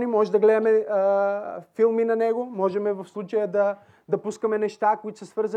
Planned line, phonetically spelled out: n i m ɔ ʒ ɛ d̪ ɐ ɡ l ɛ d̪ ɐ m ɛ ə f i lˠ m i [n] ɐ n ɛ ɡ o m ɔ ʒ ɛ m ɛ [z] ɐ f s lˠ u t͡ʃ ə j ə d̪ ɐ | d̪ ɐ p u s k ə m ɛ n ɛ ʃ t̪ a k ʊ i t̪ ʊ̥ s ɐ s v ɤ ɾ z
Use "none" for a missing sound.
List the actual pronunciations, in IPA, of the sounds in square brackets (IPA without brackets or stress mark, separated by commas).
n, v